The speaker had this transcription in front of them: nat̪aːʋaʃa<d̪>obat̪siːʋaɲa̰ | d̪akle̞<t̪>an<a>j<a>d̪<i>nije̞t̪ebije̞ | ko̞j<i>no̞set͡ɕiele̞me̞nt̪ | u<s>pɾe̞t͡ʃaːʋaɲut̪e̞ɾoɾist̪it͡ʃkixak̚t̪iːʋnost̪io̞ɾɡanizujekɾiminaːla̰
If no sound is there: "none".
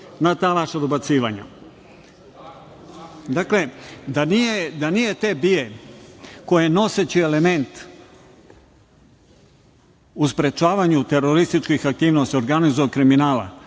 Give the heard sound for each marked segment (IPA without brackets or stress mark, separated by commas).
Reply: d̪, d̪, i, e, a, e, s